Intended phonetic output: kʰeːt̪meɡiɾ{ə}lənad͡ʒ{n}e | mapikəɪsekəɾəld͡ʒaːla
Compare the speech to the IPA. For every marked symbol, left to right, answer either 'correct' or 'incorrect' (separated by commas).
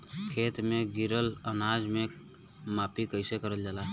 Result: correct, incorrect